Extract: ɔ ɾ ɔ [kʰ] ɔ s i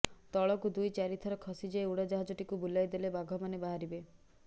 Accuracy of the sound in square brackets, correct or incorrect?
correct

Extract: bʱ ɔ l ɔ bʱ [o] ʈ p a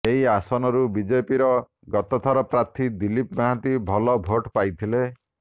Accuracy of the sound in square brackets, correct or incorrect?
correct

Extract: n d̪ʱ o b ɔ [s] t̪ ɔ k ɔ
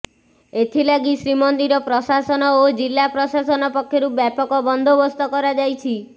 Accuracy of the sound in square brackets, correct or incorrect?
correct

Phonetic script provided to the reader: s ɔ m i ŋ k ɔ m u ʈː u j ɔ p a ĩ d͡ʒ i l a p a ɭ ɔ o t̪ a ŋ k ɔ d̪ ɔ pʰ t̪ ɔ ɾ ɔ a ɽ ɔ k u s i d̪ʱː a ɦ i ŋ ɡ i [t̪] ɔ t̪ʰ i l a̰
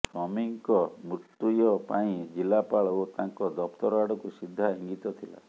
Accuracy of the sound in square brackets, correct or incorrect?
correct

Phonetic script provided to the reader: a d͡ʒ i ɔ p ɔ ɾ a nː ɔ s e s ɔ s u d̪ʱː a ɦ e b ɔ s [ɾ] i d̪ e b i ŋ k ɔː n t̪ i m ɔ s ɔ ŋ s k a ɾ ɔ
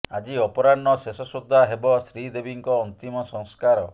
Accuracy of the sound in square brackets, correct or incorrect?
correct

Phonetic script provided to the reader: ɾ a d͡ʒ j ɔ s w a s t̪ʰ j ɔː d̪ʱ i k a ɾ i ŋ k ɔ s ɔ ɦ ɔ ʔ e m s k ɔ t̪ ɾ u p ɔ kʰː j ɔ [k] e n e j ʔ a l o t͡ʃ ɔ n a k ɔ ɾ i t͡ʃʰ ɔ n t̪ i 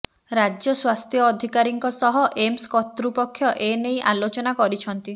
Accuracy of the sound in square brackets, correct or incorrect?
incorrect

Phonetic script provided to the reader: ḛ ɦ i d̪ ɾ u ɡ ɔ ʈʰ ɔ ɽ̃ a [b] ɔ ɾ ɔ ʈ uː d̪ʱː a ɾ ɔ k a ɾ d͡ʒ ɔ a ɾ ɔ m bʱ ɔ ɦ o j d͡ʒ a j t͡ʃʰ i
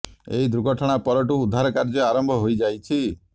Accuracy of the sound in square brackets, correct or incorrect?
incorrect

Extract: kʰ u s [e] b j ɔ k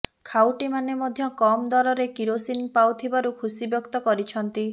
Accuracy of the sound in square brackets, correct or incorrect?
incorrect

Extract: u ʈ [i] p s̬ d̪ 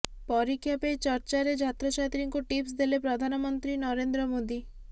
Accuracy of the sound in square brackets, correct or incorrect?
correct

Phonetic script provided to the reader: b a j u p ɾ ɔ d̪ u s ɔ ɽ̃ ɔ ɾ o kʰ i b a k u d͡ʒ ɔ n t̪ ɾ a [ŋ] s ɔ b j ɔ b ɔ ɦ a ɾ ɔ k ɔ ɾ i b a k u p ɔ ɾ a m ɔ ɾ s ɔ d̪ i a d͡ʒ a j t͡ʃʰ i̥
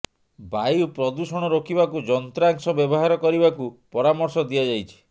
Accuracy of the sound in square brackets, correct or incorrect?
correct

